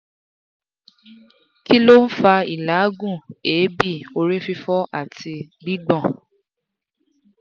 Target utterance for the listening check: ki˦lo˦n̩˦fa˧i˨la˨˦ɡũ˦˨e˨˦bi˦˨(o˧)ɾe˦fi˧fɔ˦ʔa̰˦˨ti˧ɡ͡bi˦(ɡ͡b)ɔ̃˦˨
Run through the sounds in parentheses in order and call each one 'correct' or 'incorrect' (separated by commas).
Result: correct, correct